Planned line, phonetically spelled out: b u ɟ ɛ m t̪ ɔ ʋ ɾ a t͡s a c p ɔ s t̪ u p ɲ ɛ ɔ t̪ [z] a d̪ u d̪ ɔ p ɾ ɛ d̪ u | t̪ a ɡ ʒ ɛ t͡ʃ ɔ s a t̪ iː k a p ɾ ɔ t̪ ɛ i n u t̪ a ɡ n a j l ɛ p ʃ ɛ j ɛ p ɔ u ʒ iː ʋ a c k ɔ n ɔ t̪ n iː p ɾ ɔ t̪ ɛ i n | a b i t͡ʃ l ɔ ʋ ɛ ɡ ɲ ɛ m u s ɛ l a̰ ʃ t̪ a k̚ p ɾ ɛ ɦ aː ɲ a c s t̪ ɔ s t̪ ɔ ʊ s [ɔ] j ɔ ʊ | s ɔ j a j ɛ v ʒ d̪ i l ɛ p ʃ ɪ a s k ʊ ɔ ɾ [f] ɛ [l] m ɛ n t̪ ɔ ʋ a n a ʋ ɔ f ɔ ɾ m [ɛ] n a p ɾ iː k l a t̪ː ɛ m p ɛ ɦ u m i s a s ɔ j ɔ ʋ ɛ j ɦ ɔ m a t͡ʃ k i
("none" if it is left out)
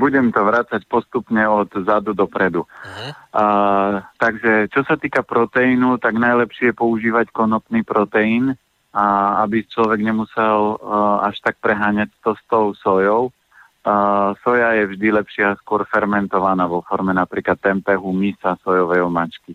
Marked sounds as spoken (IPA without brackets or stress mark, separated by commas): z, ɔ, f, ɾ, ɛ